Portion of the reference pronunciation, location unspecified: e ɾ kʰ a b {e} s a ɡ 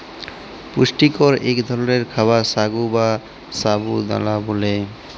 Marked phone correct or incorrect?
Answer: incorrect